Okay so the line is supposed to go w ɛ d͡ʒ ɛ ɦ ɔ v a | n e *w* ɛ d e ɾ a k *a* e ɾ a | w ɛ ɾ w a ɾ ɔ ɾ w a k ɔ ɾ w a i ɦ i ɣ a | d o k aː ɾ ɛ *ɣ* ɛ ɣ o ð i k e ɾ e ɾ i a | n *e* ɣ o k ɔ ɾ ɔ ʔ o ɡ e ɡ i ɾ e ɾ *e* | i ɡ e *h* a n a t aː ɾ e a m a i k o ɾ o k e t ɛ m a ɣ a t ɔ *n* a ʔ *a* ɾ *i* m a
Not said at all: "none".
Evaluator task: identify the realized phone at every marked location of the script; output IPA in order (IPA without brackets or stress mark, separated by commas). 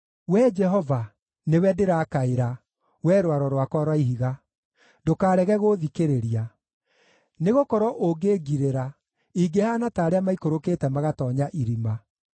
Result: w, a, ɣ, e, a, h, ɲ, i, i